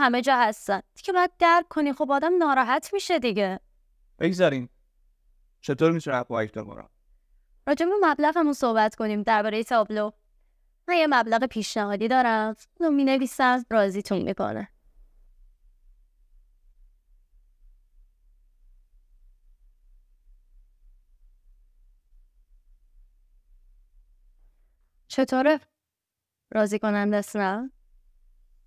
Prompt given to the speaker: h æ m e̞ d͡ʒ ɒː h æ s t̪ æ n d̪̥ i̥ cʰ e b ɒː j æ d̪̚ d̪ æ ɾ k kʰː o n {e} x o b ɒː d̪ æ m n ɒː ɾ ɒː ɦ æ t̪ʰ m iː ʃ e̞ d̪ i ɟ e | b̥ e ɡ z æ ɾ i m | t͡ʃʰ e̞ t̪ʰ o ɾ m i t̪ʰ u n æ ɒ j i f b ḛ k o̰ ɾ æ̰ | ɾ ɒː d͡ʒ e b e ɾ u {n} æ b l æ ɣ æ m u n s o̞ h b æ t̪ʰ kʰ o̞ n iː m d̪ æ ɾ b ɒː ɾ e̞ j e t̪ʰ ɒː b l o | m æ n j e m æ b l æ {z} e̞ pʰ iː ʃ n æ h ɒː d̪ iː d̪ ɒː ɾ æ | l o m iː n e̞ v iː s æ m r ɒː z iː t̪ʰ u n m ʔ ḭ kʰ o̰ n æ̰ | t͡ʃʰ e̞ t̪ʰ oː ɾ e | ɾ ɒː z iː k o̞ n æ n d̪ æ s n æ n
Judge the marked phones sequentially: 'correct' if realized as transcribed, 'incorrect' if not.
incorrect: i, incorrect: m, incorrect: ɣ

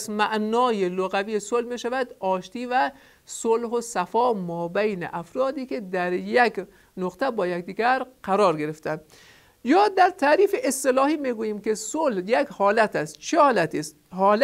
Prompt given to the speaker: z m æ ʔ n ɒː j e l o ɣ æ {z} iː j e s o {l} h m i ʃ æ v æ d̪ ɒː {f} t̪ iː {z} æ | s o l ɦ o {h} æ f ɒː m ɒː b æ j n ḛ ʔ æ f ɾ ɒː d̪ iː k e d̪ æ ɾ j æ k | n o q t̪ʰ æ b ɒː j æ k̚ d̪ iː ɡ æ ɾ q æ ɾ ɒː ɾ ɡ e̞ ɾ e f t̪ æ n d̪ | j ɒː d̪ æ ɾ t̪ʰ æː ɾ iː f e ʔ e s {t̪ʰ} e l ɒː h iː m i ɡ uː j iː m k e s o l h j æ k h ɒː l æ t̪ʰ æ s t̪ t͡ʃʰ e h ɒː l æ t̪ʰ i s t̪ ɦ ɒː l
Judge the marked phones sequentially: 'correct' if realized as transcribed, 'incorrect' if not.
incorrect: v, correct, incorrect: ʃ, incorrect: v, incorrect: s, incorrect: t̪

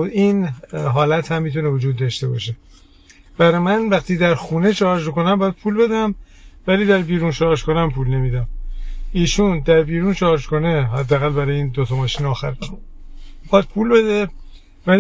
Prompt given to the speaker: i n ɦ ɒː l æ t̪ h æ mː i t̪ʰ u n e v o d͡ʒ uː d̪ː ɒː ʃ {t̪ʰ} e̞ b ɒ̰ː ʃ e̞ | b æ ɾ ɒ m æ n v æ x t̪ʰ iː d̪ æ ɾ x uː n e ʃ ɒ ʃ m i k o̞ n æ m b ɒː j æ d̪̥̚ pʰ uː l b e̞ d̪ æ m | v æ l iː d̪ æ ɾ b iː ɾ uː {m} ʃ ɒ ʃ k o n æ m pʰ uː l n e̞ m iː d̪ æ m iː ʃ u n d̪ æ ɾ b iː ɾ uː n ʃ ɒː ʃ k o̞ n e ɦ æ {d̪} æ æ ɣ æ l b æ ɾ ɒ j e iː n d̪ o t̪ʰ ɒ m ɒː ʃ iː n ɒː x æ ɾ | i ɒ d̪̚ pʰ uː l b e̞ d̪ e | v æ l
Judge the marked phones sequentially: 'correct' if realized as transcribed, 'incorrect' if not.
incorrect: t̪, incorrect: n, incorrect: d̪ː

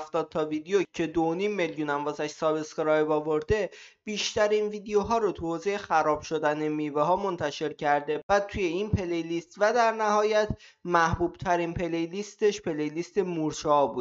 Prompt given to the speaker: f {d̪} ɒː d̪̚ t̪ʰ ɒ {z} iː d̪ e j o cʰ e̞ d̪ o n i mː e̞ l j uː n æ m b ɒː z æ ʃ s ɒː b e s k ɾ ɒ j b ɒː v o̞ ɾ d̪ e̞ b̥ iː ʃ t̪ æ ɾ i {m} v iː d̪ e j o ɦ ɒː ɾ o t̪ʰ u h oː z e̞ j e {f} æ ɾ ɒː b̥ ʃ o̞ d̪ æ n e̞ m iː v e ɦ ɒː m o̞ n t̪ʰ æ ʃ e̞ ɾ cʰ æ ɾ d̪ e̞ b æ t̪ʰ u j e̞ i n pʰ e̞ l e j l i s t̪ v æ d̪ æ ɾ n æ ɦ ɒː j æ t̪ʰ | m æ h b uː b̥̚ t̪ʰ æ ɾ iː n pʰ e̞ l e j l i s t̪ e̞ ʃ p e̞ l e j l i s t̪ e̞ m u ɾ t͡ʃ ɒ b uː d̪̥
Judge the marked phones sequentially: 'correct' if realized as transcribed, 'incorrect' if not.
incorrect: t̪, incorrect: v, incorrect: n, incorrect: x

